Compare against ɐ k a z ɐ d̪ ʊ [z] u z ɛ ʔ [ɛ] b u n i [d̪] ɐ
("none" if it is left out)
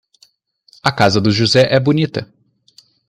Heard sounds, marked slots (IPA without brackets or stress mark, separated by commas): ʒ, ɛ, t̪